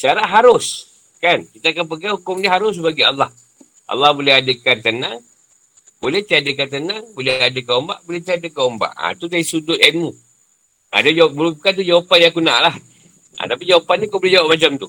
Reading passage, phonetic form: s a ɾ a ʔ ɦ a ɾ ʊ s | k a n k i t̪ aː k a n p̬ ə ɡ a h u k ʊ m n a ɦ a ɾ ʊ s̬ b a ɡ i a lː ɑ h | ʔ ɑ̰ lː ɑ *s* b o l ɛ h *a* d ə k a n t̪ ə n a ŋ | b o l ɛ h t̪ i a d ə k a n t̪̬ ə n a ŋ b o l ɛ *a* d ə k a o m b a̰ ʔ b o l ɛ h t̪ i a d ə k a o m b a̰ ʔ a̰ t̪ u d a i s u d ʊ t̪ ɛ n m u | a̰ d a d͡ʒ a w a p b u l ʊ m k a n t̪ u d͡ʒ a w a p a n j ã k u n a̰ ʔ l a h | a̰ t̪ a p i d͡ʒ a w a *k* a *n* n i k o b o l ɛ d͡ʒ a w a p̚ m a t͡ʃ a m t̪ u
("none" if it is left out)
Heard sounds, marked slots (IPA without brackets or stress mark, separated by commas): h, a, a, p, n